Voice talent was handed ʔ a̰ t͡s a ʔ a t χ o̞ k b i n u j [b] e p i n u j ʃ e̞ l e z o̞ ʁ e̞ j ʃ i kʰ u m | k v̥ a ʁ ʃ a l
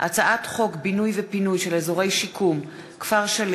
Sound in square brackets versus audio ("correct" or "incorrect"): incorrect